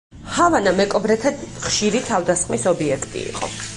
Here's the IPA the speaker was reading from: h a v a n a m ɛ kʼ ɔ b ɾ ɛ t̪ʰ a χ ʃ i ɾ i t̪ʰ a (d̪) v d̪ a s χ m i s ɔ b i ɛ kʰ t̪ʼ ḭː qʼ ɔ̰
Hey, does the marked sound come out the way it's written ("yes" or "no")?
no